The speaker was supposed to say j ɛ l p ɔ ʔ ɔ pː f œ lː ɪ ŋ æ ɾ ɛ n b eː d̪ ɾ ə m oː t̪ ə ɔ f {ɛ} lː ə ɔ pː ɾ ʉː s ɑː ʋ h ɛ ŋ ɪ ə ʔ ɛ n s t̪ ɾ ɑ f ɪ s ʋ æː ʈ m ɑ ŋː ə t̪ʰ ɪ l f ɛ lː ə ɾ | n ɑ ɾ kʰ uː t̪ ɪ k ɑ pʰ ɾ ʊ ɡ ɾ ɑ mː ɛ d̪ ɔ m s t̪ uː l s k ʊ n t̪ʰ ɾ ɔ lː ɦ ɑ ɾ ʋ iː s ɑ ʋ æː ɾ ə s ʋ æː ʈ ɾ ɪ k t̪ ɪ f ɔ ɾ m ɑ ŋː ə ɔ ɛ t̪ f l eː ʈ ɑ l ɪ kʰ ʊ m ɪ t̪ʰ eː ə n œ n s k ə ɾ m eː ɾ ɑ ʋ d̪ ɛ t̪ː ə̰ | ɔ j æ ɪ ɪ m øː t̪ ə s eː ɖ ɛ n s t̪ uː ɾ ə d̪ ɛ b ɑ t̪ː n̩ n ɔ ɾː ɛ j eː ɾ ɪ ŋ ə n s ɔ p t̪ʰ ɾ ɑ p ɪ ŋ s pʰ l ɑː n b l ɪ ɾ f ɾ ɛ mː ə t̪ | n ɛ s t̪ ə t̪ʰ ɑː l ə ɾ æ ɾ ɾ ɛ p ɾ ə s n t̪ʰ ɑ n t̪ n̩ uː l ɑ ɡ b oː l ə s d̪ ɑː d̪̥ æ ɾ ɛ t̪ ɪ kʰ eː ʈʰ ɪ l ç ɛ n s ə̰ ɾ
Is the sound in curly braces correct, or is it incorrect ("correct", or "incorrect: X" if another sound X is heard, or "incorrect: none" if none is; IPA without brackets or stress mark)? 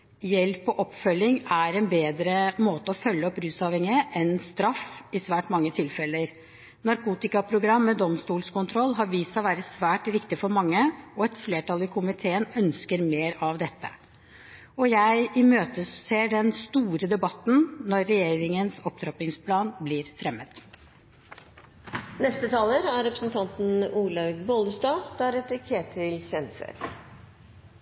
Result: incorrect: œ